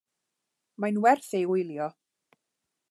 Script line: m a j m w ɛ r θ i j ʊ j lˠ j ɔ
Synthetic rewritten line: m a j n w ɛ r θ e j ʊ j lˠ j ɔ